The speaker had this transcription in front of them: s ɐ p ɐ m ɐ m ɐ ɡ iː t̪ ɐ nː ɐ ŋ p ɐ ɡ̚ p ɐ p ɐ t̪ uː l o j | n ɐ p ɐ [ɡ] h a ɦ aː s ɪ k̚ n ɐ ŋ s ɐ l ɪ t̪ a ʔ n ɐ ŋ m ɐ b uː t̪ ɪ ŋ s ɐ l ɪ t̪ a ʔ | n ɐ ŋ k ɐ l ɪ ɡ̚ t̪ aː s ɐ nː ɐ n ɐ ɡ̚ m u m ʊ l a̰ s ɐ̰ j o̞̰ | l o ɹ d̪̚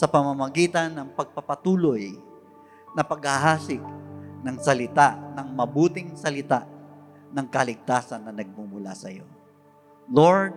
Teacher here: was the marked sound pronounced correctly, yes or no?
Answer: yes